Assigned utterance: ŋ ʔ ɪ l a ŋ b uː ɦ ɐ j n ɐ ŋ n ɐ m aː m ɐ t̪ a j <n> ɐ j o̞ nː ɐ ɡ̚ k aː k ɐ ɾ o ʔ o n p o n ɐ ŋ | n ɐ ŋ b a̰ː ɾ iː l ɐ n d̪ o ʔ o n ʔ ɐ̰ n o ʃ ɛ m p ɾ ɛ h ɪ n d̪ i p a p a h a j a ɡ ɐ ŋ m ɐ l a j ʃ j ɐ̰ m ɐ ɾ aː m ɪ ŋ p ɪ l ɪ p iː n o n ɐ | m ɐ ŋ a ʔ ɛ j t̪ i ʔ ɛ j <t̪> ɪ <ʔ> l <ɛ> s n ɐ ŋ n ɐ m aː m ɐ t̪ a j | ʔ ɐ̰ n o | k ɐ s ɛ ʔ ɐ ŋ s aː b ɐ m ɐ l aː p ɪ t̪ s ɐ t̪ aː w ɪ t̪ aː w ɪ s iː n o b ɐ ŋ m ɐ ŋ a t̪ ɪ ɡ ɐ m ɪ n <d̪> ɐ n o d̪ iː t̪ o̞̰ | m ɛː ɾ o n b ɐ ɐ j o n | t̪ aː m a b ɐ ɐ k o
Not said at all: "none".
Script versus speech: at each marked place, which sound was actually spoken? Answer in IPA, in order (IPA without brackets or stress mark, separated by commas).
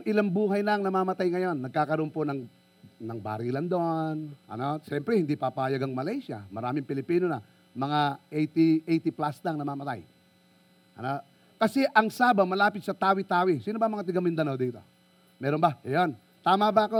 ŋ, t̪, p, a, d̪